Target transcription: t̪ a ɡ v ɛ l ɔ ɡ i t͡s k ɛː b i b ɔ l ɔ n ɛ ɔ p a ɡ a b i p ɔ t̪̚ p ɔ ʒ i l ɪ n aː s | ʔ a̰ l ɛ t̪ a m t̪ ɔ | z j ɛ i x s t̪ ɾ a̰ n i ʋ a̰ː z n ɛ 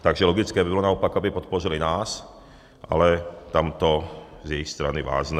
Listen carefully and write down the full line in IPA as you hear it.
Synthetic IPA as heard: t̪ a ɡ ʒ ɛ l ɔ ɡ i t͡s k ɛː b i b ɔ l ɔ n a ɔ p a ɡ a b i p ɔ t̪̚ p ɔ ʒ i l i n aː s | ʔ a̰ l ɛ t̪ a m t̪ ɔ | z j ɛ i x s t̪ ɾ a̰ n i ʋ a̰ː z n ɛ

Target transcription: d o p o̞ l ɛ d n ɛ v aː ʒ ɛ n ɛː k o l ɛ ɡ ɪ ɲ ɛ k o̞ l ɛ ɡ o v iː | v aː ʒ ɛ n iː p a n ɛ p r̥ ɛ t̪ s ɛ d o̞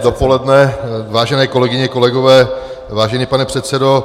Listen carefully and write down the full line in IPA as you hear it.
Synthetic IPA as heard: d o p o̞ l ɛ d n ɛ v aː ʒ ɛ n ɛː k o l ɛ ɡ ɪ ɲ ɛ k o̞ l ɛ ɡ o v ɛː | v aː ʒ ɛ n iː p a n ɛ p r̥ ɛ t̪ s ɛ d o̞

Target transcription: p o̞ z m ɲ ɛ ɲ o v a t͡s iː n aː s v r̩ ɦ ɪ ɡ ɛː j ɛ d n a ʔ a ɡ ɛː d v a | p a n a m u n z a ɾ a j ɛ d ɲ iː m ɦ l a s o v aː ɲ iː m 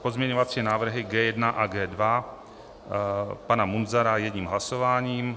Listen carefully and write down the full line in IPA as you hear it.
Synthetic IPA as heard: p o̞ z m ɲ ɛ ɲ o v a t͡s iː n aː v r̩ ɦ ɪ ɡ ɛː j ɛ d n a ʔ a ɡ ɛː d v a | p a n a m u n z a ɾ a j ɛ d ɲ iː m ɦ l a s o v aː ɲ iː m

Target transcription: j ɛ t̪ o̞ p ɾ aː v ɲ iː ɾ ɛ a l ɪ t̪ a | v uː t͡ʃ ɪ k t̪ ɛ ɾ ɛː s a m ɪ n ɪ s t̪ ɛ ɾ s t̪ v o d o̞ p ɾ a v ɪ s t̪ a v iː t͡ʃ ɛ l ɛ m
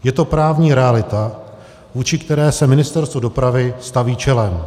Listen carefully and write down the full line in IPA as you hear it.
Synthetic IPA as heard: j ɛ t̪ o̞ p ɾ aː v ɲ iː ɾ ɛ a l ɪ t̪ a | v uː t͡ʃ ɪ k t̪ ɛ ɾ ɛː s ɛ m ɪ n ɪ s t̪ ɛ ɾ s t̪ v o d o̞ p ɾ a v ɪ s t̪ a v iː t͡ʃ ɛ l ɛ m

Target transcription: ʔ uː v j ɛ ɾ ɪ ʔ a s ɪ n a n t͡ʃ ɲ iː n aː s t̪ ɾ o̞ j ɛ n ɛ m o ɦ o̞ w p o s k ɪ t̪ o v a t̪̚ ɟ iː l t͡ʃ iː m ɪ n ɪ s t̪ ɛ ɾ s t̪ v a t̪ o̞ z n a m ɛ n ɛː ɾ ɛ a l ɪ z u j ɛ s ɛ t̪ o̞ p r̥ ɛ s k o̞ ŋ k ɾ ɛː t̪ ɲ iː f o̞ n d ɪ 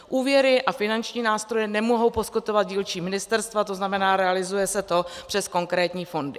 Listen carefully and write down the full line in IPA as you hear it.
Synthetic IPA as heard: ʔ uː v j ɛ ɾ ɪ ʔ a f ɪ n a n t͡ʃ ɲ iː n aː s t̪ ɾ o̞ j ɛ n ɛ m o ɦ o̞ w p o s k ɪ t̪ o v a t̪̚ ɟ iː l t͡ʃ iː m ɪ n ɪ s t̪ ɛ ɾ s t̪ v a t̪ o̞ z n a m ɛ n aː ɾ ɛ a l ɪ z u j ɛ s ɛ t̪ o̞ p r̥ ɛ s k o̞ ŋ k ɾ ɛː t̪ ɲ iː f o̞ n d ɪ

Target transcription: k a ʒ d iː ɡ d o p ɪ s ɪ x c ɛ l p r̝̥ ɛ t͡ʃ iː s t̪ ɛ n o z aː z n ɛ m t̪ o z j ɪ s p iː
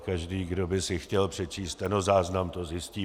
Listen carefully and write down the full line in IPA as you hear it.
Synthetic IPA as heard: k a ʒ d iː ɡ d o b ɪ s ɪ x c ɛ l p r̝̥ ɛ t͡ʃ iː s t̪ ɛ n o z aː z n a m t̪ o z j ɪ s c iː

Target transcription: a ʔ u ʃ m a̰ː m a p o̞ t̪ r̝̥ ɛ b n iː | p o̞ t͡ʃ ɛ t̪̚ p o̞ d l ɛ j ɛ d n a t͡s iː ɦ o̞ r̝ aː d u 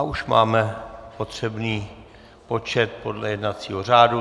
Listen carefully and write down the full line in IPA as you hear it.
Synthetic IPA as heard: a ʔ u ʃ m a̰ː m ɛ p o̞ t̪ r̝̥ ɛ b n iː | p o̞ t͡ʃ ɛ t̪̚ p o̞ d l ɛ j ɛ d n a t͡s iː ɦ o̞ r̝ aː d u

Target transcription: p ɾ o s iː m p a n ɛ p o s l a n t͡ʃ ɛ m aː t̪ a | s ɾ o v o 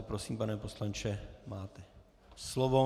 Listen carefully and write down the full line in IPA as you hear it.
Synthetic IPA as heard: p ɾ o s iː m p a n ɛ p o s l a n t͡ʃ ɛ m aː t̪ ɛ | s l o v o

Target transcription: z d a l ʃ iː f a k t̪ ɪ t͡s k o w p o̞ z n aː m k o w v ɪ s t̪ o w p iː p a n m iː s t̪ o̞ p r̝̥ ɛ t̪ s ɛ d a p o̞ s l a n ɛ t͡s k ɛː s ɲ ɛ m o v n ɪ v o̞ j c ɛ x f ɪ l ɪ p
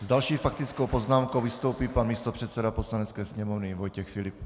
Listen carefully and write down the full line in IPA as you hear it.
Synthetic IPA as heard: z d a l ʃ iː f a k t̪ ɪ t͡s k o w p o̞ z n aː m k o w v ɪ s t̪ o w p iː p a n m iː s t̪ o̞ p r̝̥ ɛ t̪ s ɛ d a p o̞ s l a n ɛ t͡s k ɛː s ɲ ɛ m o v n ɪ v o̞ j c ɛ x f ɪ l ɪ p

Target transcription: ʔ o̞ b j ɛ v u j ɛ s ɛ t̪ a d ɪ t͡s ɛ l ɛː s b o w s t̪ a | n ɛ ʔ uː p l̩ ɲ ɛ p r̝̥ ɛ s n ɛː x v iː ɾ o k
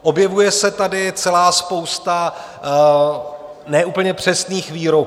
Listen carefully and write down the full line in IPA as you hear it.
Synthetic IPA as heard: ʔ o̞ b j ɛ v u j ɛ s ɛ t̪ a d ɪ t͡s ɛ l aː s p o w s t̪ a | n ɛ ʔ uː p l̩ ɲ ɛ p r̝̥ ɛ s n iː x v iː ɾ o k

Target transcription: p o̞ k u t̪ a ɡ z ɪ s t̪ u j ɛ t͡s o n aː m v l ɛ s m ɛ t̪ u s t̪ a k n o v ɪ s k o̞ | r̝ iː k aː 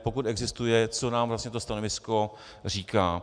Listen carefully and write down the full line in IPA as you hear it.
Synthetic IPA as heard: p o̞ k u t̪ ɛ ɡ z ɪ s t̪ u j ɛ t͡s o n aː m v l a s ɲ ɛ t̪ o s t̪ a n o v ɪ s k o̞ | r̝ iː k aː

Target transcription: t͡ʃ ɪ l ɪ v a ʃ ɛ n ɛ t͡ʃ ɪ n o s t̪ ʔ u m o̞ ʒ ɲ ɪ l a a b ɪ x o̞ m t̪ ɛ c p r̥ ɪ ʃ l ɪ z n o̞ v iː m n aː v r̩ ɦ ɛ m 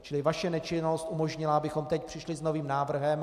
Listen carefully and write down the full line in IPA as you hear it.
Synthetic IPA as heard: t͡ʃ ɪ l ɪ v a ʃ ɛ n ɛ t͡ʃ ɪ n o s t̪ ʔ u m o̞ ʒ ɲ ɪ l a a b ɪ x o̞ m t̪ ɛ c p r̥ ɪ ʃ l ɪ z n o̞ v iː m n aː v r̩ ɦ ɛ m

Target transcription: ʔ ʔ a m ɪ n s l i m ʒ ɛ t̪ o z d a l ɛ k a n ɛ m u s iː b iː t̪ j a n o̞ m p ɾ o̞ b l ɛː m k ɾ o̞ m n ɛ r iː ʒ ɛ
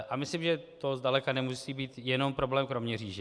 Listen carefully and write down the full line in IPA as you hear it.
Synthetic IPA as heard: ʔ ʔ a m ɪ s l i m ʒ ɛ t̪ o z d a l ɛ k a n ɛ m u s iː b iː t̪ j ɛ n o̞ m p ɾ o̞ b l ɛː m k ɾ o̞ m ɲ ɛ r iː ʒ ɛ

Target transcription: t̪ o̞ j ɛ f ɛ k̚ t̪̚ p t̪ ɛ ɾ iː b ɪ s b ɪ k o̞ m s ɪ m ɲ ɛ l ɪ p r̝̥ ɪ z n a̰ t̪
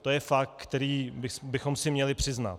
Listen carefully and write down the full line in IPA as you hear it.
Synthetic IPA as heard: t̪ o̞ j ɛ f a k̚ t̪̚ k t̪ ɛ ɾ iː b ɪ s b ɪ x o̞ m s ɪ m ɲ ɛ l ɪ p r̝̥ ɪ z n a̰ t̪

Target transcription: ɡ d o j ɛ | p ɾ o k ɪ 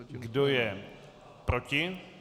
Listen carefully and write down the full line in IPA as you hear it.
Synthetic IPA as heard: ɡ d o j ɛ | p ɾ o c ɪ

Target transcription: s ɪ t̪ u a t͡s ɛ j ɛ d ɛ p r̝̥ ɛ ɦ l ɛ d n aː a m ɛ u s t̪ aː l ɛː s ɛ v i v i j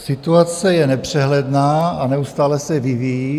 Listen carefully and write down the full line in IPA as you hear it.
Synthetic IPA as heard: s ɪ t̪ u a t͡s ɛ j ɛ n ɛ p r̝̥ ɛ ɦ l ɛ d n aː a n ɛ u s t̪ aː l ɛ s ɛ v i v i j

